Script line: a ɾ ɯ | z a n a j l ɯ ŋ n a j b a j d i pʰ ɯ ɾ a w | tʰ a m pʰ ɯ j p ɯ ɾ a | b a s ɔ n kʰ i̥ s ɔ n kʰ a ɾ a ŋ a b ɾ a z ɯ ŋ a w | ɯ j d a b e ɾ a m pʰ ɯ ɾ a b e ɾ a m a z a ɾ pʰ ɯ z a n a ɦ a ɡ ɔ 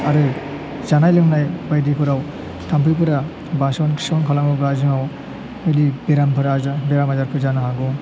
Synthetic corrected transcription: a ɾ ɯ | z a n a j l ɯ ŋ n a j b a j d i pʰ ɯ ɾ a w | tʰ a m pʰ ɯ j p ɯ ɾ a | b a s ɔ n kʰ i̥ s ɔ n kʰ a l a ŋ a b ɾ a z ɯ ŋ a w | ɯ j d i b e ɾ a m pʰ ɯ ɾ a b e ɾ a m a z a ɾ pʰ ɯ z a n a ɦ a ɡ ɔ